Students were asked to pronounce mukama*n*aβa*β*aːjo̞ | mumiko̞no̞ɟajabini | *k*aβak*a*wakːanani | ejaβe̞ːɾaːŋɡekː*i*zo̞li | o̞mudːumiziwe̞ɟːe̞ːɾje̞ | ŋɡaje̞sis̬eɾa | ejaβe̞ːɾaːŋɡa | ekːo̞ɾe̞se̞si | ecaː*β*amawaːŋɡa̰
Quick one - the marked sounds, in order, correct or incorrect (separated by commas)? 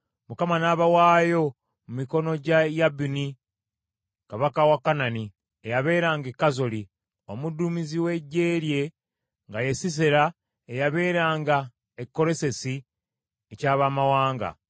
correct, incorrect, correct, correct, incorrect, correct